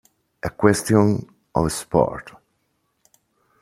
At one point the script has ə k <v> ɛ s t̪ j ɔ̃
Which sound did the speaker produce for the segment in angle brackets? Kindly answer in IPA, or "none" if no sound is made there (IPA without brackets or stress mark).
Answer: w